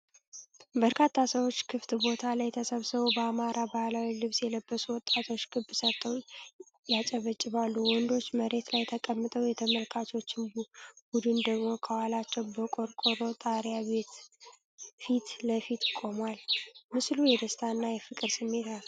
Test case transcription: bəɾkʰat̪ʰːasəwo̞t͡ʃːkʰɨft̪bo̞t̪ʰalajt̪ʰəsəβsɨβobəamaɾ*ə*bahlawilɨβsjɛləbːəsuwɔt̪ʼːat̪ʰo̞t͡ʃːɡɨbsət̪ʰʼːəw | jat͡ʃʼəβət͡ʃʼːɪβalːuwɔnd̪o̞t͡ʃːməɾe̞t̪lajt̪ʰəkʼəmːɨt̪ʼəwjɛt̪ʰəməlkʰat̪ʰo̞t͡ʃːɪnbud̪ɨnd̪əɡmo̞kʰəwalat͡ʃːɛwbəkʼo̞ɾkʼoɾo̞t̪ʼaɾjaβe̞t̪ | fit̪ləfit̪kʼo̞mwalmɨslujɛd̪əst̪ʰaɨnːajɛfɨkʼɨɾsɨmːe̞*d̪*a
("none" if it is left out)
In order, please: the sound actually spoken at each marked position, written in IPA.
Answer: a, t̪

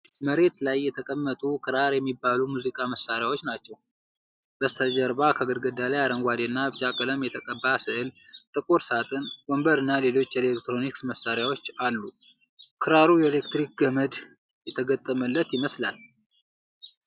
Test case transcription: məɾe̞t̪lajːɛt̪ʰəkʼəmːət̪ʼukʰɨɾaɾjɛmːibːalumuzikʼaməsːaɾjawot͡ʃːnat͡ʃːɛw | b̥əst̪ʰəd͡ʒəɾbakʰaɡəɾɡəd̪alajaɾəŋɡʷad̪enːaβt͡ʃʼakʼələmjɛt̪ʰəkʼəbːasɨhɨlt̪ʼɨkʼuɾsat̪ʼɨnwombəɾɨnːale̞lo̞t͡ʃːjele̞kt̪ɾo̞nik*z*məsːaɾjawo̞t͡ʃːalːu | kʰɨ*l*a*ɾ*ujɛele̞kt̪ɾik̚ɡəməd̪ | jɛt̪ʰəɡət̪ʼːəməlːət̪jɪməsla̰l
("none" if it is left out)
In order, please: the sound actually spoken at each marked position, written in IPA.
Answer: s, ɾ, ɾ

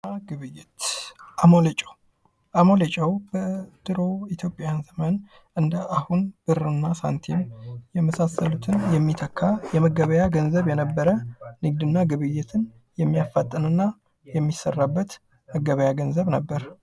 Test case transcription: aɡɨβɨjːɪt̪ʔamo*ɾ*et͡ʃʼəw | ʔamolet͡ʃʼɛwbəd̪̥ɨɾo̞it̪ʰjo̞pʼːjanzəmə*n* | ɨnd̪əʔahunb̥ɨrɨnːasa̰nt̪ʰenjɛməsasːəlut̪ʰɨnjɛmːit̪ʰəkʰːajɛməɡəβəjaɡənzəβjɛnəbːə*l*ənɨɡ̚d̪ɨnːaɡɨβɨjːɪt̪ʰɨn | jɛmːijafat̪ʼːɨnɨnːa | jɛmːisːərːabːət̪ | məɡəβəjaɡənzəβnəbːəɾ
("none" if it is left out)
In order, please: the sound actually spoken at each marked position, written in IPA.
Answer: l, n, ɾ

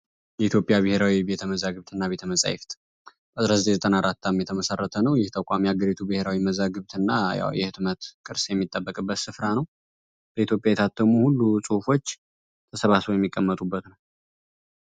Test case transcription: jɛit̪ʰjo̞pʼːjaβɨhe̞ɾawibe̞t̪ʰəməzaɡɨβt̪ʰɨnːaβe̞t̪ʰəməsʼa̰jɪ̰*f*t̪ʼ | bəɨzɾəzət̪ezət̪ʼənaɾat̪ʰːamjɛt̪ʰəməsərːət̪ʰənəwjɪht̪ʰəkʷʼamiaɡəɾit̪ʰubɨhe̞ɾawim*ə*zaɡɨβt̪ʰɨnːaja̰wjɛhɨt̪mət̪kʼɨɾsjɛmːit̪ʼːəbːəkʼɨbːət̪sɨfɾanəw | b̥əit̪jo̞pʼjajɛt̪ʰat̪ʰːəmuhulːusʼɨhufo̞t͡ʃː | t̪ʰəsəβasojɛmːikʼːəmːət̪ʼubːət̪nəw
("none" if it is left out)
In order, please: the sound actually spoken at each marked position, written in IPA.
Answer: f, ə

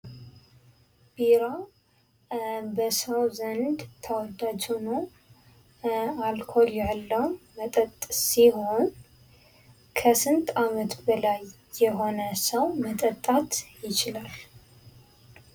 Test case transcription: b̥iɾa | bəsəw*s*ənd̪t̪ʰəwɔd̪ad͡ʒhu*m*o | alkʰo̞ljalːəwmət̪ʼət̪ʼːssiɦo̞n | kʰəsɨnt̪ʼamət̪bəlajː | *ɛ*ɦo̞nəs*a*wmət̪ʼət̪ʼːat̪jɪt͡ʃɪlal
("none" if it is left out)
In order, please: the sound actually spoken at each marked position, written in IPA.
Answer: z, n, ɛ, ə

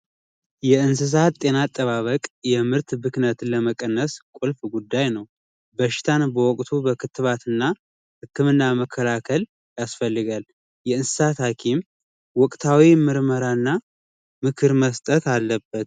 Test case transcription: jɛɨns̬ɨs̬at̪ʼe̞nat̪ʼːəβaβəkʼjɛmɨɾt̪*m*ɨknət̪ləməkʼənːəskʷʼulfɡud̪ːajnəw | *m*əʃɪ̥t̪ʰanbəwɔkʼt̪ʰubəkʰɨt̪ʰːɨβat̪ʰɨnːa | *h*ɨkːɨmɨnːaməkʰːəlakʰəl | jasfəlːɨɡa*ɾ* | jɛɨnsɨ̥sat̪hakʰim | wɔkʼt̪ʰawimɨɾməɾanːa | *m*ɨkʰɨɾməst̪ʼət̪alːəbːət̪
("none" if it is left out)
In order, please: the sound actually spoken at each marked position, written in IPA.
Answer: b, b, h, l, m

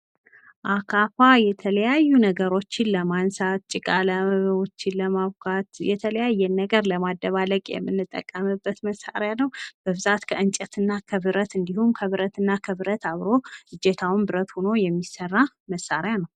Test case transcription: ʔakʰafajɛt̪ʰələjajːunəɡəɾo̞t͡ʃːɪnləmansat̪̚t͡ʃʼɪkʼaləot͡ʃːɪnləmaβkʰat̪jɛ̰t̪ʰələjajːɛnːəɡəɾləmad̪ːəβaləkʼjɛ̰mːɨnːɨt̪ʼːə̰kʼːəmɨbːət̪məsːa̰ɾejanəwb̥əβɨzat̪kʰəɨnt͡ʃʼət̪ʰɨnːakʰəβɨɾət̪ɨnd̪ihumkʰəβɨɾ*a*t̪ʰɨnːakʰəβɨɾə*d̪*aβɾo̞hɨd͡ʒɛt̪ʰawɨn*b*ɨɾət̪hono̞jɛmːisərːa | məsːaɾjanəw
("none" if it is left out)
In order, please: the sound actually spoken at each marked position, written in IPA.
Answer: ə, t̪, b

